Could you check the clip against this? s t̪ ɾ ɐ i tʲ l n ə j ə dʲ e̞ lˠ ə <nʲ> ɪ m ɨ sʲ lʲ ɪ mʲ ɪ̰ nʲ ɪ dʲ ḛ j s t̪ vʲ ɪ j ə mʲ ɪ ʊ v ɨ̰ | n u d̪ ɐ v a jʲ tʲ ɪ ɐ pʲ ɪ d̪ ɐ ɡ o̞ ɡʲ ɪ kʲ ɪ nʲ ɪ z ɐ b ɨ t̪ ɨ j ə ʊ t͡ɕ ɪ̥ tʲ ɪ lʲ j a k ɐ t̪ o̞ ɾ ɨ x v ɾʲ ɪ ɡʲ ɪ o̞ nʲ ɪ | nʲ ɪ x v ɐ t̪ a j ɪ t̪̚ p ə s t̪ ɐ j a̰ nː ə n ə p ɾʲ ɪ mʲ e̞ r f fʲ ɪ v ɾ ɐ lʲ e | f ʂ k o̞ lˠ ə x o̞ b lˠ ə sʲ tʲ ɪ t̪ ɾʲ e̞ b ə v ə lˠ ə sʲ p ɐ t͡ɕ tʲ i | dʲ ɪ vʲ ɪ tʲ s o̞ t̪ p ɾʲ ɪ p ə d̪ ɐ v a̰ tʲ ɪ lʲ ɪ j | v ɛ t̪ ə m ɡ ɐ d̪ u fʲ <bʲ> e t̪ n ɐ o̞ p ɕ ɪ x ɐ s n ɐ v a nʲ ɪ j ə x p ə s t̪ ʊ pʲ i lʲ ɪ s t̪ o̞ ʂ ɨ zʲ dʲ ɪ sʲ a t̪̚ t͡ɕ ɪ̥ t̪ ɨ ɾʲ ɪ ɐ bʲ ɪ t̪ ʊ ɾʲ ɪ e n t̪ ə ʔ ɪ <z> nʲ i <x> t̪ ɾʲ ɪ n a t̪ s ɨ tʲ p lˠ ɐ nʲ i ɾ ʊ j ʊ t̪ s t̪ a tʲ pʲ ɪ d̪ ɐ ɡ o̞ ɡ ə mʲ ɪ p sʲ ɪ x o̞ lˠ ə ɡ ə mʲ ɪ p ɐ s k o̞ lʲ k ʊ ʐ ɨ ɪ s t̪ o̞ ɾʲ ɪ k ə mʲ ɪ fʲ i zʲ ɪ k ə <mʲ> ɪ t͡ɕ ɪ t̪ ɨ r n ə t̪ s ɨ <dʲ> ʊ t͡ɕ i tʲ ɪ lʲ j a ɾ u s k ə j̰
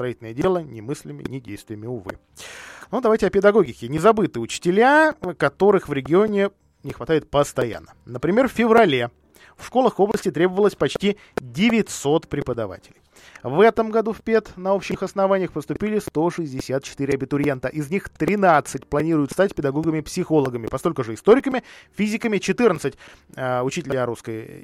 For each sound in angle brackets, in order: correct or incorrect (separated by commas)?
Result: correct, incorrect, correct, correct, correct, incorrect